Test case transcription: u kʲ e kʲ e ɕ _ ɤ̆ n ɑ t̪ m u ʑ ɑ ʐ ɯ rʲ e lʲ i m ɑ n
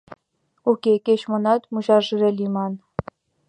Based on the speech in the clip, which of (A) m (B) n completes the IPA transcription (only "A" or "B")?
A